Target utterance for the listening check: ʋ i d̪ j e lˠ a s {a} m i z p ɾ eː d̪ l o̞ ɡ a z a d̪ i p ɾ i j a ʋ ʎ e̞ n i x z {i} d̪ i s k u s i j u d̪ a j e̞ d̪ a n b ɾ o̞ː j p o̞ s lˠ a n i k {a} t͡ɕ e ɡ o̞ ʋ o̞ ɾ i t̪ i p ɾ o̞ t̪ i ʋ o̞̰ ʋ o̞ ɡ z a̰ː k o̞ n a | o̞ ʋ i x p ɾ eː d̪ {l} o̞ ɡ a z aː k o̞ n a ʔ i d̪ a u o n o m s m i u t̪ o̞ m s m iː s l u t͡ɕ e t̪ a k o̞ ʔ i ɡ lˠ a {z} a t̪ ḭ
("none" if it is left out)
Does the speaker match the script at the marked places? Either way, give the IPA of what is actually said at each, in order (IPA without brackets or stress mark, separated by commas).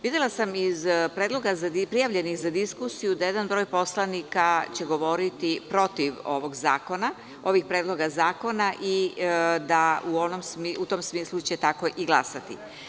a, a, a, l, s